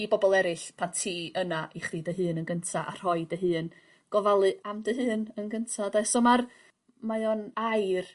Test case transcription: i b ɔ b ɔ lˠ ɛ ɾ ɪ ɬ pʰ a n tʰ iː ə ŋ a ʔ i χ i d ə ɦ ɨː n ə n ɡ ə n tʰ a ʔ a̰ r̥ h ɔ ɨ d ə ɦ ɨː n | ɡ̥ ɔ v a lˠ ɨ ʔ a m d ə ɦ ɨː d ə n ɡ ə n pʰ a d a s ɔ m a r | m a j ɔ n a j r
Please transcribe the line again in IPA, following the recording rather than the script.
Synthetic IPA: i b ɔ b ɔ lˠ ɛ ɾ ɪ ɬ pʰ a n tʰ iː ə n a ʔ i χ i d ə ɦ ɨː n ə n ɡ ə n tʰ a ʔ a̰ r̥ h ɔ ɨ d ə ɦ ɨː n | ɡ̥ ɔ v a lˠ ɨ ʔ a m d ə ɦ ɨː n ə n ɡ ə n tʰ a d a s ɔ m a r | m a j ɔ n a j r